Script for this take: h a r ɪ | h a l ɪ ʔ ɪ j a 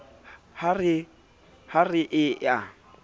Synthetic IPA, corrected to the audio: h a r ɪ | h a r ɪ ʔ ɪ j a